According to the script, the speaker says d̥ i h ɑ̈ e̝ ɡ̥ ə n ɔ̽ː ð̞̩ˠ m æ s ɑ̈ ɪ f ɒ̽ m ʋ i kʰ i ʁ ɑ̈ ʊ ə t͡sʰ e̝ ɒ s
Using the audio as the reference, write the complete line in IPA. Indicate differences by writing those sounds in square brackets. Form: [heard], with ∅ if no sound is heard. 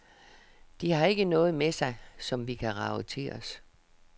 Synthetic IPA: d̥ i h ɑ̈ e̝ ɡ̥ ə n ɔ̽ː ð̞̩ˠ m [e] s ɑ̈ ɪ [s] ɒ̽ m ʋ i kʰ [æ] ʁ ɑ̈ ʊ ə t͡sʰ e̝ ɒ s